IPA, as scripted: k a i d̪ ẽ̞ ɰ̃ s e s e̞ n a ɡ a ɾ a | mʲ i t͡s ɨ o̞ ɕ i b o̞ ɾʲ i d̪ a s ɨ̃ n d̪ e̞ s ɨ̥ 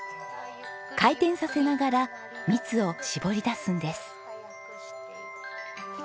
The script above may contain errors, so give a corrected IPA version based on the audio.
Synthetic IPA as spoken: k a i t̪ ẽ̞ ɰ̃ s a s e̞ n a ɡ a ɾ a | mʲ i t͡s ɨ o̞ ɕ i b o̞ ɾʲ i d̪ a s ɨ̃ n d̪ e̞ s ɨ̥